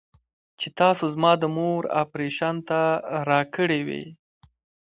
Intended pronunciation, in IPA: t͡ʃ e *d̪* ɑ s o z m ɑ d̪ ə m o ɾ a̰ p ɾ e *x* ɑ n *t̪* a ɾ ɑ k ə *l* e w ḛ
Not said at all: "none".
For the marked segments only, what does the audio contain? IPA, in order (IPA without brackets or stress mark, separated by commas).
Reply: t̪, ʃ, t̪, ɽ